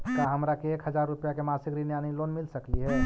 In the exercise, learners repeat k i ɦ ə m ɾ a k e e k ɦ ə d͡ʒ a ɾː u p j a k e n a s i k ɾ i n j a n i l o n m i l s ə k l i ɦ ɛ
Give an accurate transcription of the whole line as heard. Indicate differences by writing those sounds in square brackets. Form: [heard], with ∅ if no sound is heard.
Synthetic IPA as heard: k [a] ɦ ə m ɾ a k e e k ɦ ə d͡ʒ a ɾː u p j a k e [m] a s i k ɾ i n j a n i l o n m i l s ə k l i ɦ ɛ